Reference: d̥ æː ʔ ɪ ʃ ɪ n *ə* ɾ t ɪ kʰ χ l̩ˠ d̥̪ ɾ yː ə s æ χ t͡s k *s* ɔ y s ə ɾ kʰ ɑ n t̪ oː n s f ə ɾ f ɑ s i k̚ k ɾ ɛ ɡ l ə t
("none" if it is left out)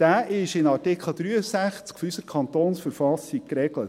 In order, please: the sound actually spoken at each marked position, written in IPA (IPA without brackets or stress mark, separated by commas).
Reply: ɑ, f